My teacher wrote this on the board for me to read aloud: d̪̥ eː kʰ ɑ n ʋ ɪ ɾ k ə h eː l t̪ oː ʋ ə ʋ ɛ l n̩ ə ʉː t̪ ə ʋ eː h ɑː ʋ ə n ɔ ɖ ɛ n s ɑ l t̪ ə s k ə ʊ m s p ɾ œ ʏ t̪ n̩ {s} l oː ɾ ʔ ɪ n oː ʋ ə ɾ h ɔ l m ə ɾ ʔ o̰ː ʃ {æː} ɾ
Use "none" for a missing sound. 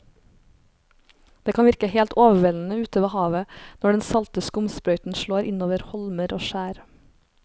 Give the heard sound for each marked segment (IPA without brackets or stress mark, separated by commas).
ʃ, æː